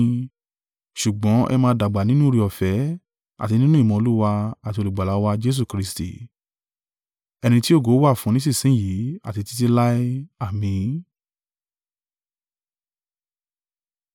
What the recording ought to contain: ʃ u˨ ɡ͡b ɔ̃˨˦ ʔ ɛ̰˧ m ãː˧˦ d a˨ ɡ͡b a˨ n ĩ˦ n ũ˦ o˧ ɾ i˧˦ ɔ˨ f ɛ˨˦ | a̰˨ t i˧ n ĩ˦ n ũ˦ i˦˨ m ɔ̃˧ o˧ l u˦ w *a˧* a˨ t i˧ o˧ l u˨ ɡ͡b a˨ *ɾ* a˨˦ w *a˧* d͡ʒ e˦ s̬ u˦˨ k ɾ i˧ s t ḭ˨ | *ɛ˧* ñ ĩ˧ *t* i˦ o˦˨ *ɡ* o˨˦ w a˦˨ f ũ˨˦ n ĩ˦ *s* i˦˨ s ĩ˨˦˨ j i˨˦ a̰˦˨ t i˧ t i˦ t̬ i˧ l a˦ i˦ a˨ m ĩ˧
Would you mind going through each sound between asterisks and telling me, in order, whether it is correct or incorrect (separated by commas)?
correct, incorrect, correct, correct, correct, correct, correct